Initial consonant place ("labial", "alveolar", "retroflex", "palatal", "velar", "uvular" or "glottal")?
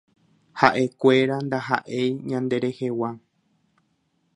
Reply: glottal